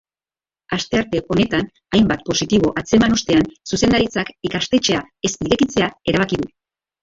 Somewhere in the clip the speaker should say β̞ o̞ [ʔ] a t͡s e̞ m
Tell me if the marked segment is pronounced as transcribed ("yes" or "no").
yes